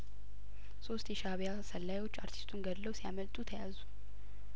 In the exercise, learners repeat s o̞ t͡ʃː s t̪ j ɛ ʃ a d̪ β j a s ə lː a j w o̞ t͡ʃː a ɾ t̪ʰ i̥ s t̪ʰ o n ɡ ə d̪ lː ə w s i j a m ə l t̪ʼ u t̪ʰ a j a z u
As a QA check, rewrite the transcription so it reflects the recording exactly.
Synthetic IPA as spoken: s o̞ s t̪ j ɛ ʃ a β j a s ə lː a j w o̞ t͡ʃː a ɾ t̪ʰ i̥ s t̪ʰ u n ɡ ə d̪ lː ə w s i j a m ə l t̪ʼ u t̪ʰ ə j a z u